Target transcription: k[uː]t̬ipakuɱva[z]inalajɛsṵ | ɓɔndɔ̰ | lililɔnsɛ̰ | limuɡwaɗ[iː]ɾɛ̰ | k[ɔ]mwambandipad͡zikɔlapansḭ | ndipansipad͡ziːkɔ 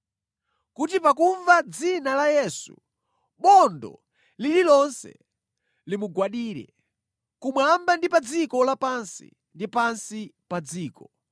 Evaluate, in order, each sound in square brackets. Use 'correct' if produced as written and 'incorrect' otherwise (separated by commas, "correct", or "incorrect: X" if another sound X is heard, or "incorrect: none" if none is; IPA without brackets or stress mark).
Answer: incorrect: u, incorrect: d͡z, correct, incorrect: u